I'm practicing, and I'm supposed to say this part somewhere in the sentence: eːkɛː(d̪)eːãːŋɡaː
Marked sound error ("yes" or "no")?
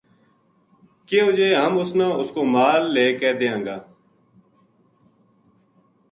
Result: no